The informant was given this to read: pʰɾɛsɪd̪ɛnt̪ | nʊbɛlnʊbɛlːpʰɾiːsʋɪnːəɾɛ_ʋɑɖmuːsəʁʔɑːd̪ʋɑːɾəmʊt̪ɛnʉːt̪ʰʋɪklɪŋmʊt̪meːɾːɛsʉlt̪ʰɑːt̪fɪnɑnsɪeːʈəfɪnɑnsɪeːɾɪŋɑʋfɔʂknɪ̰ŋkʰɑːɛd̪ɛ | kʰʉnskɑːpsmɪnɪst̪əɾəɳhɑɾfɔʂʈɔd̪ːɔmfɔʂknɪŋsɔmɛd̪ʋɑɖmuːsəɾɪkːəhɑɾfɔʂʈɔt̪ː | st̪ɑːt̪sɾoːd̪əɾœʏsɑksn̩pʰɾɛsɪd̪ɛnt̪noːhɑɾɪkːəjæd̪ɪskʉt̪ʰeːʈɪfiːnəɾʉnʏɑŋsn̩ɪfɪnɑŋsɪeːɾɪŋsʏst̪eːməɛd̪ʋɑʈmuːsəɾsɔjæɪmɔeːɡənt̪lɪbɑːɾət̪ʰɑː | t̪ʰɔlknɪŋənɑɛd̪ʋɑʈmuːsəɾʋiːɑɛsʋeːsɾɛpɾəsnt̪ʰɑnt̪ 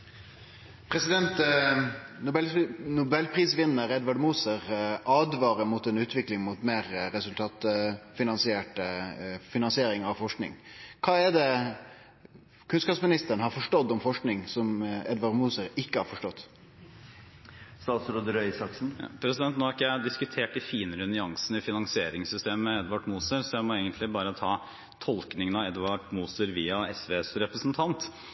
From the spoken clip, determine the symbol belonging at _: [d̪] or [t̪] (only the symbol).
d̪